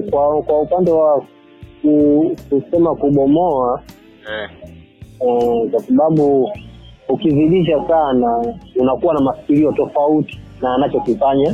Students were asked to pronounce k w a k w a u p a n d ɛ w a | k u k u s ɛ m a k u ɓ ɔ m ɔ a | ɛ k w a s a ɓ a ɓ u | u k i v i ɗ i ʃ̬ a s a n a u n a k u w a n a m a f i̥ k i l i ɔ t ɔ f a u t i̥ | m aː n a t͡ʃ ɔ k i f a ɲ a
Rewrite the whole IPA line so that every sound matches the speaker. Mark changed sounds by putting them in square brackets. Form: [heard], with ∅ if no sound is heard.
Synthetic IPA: k w a k w a u p a n d ɛ w a | k u k u s ɛ m a k u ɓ ɔ m ɔ a | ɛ k w a s a ɓ a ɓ u | u k i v i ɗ i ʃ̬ a s a n a u n a k u w a n a m a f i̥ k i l i ɔ t ɔ f a u t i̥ | [n] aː n a t͡ʃ ɔ k i f a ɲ a